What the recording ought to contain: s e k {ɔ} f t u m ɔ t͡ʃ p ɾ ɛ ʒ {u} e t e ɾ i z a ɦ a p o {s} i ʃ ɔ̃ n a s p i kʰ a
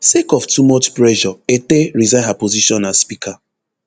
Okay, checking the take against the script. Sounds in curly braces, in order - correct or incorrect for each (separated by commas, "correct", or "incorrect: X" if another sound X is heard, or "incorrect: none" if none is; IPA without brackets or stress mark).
correct, incorrect: ɔ, incorrect: z